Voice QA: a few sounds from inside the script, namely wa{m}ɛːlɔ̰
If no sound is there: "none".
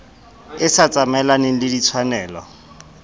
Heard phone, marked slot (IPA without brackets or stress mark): n